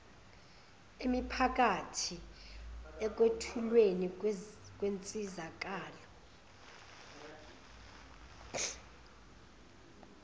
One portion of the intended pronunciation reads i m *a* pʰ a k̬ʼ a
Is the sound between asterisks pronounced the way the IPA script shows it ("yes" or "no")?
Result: no